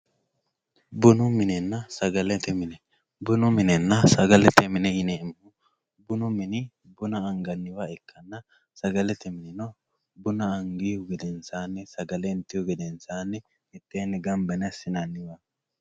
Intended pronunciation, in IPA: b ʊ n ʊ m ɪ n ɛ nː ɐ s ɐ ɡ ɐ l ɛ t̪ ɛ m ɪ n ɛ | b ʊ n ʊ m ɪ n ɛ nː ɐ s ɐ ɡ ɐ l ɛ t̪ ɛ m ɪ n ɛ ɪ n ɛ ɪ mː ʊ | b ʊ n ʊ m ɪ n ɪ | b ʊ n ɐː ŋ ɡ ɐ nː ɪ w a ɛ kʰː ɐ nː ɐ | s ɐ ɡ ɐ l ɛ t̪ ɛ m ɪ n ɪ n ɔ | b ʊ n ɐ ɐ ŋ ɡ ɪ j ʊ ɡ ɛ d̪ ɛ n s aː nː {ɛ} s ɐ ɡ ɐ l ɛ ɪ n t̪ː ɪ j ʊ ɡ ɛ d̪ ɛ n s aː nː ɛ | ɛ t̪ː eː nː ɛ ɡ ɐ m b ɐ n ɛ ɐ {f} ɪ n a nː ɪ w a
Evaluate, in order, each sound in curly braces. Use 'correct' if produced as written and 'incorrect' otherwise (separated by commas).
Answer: correct, incorrect